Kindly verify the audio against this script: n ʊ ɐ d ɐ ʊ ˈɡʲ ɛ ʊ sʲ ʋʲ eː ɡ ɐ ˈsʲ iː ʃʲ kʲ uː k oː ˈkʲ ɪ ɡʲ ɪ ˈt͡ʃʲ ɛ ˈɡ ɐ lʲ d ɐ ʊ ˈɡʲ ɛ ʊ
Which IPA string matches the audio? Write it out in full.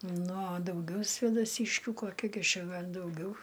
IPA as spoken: n ʊ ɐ d ɐ ʊ ˈɡʲ ɛ ʊ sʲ ʋʲ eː d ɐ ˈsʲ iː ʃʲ kʲ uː k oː ˈkʲ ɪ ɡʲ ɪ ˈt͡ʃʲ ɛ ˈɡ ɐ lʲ d ɐ ʊ ˈɡʲ ɛ ʊ